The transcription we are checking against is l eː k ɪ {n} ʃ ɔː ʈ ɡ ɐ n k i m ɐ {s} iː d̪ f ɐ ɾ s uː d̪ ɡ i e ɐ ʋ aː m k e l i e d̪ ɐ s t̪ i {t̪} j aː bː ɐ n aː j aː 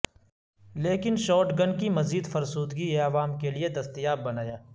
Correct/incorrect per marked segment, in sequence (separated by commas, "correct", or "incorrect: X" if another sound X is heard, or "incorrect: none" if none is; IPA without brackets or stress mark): correct, incorrect: z, incorrect: none